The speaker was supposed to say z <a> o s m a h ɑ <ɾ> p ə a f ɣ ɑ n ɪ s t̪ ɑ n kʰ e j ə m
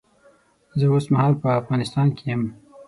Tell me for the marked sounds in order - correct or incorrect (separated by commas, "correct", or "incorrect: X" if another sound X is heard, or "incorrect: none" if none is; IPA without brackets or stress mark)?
incorrect: ə, incorrect: l